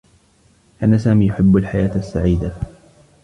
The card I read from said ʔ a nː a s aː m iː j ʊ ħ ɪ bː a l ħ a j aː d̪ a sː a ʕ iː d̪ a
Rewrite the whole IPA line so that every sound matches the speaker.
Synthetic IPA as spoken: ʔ a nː a s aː m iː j ʊ ħ ɪ bː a l ħ a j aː t̪ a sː a ʕ iː d̪ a